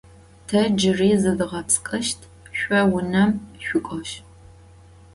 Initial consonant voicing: voiceless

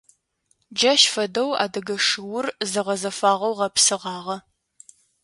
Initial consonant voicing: voiced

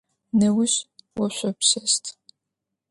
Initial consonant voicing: voiced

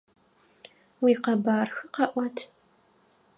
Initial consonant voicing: voiced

